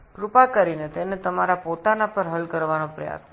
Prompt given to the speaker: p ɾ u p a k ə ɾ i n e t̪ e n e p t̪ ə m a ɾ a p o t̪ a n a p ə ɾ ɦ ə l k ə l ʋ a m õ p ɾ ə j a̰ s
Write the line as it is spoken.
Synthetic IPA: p ɾ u p a k ə ɾ i n e t̪ e n e t̪ ə m a ɾ a p o t̪ a n a p ə ɾ ɦ ə l k ə ɾ ʋ a n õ p ɾ ə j a̰ s